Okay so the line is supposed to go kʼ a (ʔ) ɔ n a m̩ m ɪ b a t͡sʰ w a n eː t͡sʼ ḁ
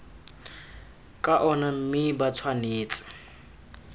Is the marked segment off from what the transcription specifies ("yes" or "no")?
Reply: no